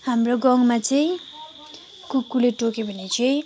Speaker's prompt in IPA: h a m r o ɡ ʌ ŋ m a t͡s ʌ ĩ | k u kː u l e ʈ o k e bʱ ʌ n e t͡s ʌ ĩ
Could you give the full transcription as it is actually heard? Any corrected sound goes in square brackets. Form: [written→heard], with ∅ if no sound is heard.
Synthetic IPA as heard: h a m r o ɡ ʌ ŋ m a t͡s ʌ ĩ | k u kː u l e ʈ o k e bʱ ʌ n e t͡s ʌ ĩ